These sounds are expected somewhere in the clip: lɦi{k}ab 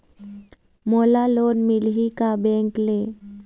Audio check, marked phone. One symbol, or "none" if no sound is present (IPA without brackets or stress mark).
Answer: k